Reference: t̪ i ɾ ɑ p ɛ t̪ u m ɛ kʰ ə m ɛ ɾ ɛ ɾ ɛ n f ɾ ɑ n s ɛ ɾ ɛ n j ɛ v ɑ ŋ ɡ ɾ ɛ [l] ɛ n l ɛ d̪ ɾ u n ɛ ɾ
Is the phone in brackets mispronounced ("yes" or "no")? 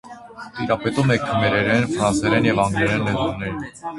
yes